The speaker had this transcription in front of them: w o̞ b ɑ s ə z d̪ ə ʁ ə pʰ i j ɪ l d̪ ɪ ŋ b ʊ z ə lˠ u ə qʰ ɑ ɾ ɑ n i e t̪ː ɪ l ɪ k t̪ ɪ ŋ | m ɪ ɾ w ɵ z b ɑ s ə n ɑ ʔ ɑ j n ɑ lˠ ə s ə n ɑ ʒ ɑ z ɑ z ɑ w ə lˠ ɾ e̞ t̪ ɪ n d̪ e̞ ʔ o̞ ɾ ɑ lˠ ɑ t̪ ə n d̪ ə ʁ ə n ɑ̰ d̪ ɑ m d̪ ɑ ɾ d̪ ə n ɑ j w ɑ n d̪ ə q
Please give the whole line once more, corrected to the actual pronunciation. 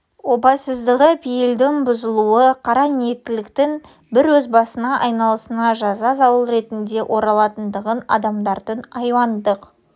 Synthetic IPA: w o̞ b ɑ s ə z d̪ ə ʁ ə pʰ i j ɪ l d̪ ɪ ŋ b ʊ z ə lˠ u ə qʰ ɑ ɾ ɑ n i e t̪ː ɪ l ɪ k t̪ ɪ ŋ | b ɪ ɾ w ɵ z b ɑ s ə n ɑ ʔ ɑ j n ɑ lˠ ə s ə n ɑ ʒ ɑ z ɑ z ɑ w ə lˠ ɾ e̞ t̪ ɪ n d̪ e̞ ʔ o̞ ɾ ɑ lˠ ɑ t̪ ə n d̪ ə ʁ ə n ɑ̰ d̪ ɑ m d̪ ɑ ɾ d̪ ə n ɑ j w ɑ n d̪ ə q